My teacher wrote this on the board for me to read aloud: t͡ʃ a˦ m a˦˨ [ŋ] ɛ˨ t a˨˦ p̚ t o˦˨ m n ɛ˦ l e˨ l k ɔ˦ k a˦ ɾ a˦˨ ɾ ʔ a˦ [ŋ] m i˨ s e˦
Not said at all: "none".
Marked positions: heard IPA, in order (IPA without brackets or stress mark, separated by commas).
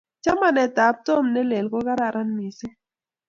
n, n